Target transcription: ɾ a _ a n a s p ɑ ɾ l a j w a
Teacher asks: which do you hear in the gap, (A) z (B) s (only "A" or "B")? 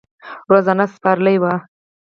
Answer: A